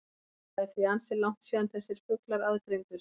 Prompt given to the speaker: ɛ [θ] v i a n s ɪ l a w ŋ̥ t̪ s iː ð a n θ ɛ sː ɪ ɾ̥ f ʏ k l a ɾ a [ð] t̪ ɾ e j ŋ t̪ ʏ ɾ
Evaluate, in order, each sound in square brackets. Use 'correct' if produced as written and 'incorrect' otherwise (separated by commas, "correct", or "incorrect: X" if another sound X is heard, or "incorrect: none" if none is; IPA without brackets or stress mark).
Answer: correct, correct